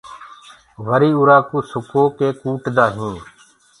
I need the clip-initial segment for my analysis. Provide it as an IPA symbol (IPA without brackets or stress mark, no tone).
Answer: ʋ